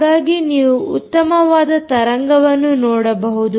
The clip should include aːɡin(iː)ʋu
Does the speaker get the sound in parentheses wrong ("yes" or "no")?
no